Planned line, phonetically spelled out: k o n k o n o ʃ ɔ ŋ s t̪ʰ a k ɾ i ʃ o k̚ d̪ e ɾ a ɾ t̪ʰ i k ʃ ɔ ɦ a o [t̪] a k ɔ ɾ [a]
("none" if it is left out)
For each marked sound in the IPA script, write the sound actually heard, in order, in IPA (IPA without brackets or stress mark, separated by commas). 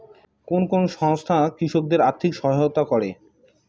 t̪, e